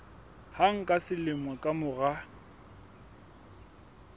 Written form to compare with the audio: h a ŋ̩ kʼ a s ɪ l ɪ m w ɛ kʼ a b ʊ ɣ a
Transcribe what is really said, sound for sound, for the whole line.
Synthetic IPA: h a ŋ̩ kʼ a s ɪ l ɪ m w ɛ kʼ a m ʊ ɣ a